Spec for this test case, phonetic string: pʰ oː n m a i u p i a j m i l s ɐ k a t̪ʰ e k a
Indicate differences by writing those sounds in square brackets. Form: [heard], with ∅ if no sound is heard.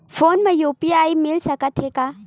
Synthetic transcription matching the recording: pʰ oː n m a [j] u p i a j m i l s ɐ k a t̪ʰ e k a